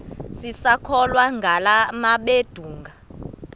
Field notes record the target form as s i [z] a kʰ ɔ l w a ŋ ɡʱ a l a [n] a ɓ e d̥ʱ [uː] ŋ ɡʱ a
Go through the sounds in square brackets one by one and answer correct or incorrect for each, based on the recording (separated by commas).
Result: incorrect, incorrect, correct